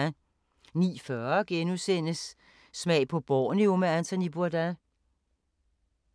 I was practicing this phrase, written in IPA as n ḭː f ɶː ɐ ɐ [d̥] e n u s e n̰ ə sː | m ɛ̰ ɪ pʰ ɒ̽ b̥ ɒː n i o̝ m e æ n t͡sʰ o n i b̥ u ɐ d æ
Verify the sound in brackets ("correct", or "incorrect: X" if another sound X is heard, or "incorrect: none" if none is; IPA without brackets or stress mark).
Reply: incorrect: ɡ̥